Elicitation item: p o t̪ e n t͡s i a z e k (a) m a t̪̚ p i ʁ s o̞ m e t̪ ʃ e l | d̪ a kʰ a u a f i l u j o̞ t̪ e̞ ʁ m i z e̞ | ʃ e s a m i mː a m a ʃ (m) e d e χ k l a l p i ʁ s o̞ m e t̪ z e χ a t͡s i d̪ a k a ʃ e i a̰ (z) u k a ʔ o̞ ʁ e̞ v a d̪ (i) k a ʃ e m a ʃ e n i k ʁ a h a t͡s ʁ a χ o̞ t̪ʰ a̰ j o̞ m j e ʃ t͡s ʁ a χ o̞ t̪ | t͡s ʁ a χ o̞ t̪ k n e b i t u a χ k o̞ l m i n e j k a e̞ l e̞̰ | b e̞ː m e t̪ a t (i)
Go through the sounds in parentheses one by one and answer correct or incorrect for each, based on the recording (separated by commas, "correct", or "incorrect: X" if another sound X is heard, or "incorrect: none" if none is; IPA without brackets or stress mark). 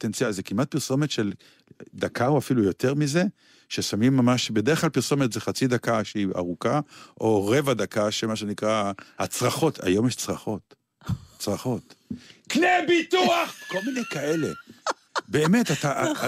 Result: incorrect: i, incorrect: b, incorrect: ʁ, incorrect: a, incorrect: a